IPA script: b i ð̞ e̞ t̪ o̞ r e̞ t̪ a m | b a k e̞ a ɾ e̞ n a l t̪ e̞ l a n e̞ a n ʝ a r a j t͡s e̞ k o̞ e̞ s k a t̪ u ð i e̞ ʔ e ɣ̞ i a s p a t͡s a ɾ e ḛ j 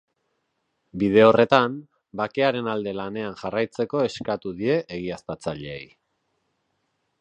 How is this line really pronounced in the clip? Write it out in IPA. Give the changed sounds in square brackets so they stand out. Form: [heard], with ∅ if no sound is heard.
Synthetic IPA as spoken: b i ð̞ e̞ [∅] o̞ r e̞ t̪ a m | b a k e̞ a ɾ e̞ n a l [d̪] e̞ l a n e̞ a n ʝ a r a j t͡s e̞ k o̞ e̞ s k a t̪ u ð i e̞ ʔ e ɣ̞ i a s p a t͡s a [ʎ] e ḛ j